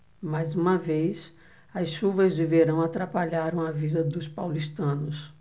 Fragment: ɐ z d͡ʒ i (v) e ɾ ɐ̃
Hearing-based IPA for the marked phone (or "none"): v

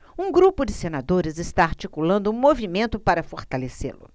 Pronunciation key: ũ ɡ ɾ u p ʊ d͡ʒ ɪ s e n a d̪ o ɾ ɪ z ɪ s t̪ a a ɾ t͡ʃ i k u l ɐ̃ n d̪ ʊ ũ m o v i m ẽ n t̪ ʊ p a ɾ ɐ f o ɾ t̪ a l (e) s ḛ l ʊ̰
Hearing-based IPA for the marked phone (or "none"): e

